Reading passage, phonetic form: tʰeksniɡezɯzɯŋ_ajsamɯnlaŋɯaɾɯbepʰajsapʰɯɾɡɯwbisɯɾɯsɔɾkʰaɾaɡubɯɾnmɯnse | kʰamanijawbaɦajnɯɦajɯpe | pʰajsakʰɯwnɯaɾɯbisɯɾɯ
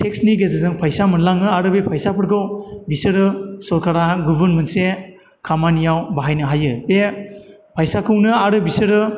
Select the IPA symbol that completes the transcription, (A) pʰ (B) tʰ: A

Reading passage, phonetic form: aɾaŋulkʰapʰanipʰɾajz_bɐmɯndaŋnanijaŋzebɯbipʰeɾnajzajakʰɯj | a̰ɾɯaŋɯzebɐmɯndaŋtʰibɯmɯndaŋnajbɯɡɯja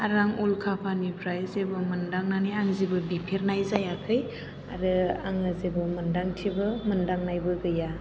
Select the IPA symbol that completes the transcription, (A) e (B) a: A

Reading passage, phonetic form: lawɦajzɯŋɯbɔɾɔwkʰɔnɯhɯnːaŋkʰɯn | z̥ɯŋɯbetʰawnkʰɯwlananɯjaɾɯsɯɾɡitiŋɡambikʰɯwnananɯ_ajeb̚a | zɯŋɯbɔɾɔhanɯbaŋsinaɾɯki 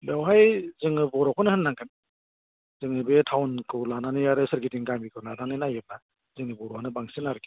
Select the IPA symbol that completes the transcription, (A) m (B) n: B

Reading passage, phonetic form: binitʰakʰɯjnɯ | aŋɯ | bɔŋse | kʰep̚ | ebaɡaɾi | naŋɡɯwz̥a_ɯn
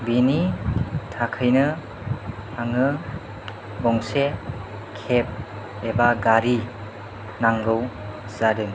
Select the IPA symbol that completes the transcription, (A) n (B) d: B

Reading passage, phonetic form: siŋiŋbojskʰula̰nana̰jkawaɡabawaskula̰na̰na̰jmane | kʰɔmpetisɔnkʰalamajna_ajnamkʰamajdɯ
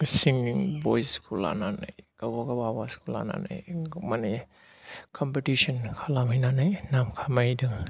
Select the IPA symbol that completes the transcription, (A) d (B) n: B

